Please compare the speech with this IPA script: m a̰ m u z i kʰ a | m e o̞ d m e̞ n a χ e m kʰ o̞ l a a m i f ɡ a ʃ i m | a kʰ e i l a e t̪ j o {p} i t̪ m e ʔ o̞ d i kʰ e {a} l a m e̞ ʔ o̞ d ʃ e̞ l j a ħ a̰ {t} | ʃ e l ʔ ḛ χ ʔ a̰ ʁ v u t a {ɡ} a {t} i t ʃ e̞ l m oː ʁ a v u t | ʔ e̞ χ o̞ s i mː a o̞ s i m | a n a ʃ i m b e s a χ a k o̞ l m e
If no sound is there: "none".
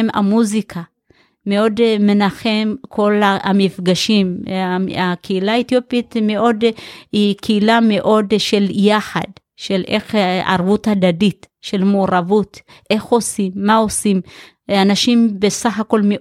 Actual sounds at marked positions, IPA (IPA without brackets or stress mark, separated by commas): p, i, d, d, d